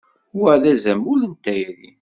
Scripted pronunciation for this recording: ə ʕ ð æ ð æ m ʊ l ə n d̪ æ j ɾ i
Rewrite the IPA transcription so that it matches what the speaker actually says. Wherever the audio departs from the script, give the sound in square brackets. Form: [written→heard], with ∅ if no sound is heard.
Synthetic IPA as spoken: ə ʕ ð æ [ð→z] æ m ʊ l ə n [d̪→t̪] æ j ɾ i